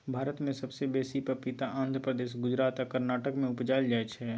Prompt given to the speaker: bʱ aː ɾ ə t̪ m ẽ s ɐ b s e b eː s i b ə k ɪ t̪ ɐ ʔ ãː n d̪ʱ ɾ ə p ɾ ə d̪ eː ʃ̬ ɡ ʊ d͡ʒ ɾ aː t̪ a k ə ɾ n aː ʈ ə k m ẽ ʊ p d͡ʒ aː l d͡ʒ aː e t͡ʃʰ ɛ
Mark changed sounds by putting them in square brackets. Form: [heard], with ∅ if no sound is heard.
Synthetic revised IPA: bʱ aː ɾ ə t̪ m ẽ s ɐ b s e b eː s i [p] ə [p] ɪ t̪ [a] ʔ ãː n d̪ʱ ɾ ə p ɾ ə d̪ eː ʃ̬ ɡ ʊ d͡ʒ ɾ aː t̪ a k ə ɾ n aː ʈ ə k m ẽ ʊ p d͡ʒ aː l d͡ʒ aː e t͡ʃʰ ɛ

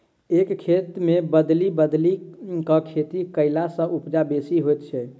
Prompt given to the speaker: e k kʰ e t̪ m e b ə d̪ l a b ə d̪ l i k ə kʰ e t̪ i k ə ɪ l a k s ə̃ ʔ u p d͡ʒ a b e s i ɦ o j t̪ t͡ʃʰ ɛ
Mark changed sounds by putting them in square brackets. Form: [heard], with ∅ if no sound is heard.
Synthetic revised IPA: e k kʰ e t̪ m e b ə d̪ l [i] b ə d̪ l i k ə kʰ e t̪ i k ə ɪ l a [∅] s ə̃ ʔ u p d͡ʒ a b e s i ɦ o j t̪ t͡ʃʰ ɛ

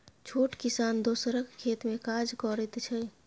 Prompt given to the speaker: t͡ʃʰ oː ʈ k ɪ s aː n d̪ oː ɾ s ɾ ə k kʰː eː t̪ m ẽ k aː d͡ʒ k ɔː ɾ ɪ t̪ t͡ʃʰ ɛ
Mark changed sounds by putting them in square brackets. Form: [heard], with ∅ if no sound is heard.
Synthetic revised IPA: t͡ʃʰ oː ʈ k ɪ s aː n d̪ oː [∅] s ɾ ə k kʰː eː t̪ m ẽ k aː d͡ʒ k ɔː ɾ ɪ t̪ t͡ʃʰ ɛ

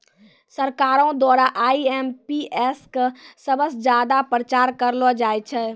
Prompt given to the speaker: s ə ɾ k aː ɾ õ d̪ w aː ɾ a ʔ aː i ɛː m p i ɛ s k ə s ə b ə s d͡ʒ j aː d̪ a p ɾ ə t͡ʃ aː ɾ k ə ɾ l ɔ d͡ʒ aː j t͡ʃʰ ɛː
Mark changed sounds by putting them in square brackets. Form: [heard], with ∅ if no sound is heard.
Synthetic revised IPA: s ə ɾ k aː ɾ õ d̪ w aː ɾ a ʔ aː i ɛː m p i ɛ s k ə s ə b ə s d͡ʒ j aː d̪ a p ɾ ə t͡ʃ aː ɾ k ə ɾ l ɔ d͡ʒ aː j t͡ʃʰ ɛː

